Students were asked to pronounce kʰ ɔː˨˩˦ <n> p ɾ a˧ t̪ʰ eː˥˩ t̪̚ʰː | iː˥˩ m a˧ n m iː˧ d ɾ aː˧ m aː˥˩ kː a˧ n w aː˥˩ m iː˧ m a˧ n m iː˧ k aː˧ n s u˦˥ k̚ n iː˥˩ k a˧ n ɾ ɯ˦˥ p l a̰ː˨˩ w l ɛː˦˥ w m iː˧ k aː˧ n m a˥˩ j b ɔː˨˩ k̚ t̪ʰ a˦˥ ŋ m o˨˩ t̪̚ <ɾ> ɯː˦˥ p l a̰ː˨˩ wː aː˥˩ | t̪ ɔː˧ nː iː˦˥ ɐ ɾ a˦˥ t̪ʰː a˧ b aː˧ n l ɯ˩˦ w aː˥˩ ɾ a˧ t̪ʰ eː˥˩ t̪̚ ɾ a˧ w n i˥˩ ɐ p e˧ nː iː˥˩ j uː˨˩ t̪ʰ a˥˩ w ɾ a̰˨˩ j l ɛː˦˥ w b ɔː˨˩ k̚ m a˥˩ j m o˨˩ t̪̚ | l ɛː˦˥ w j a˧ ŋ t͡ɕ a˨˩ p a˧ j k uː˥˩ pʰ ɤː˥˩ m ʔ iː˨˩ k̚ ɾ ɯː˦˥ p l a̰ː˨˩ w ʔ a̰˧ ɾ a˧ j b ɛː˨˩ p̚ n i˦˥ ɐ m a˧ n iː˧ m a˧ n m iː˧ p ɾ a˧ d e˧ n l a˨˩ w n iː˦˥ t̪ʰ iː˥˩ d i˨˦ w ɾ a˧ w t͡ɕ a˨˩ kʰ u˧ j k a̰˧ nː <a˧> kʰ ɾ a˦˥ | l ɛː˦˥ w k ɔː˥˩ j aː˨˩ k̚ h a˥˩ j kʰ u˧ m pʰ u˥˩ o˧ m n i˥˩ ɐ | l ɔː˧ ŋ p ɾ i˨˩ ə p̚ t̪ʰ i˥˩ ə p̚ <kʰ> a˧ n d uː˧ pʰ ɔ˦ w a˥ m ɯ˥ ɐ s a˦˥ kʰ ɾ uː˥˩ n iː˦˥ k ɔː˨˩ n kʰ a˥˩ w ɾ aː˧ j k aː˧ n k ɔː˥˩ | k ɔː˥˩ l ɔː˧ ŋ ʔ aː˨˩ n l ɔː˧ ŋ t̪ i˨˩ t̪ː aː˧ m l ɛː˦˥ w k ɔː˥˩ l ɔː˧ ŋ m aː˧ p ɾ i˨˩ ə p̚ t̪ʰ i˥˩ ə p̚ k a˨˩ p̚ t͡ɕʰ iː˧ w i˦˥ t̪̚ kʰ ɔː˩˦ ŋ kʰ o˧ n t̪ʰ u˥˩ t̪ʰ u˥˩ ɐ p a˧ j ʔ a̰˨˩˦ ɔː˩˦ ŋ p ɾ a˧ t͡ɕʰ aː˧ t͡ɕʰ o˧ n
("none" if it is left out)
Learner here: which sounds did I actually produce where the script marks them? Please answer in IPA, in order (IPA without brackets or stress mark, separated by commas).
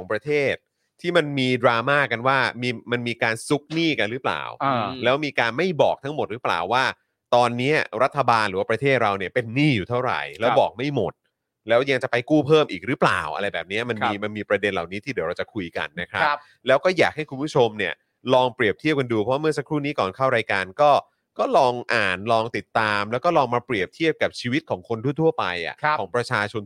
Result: ŋ, ɾ, a˦˥, k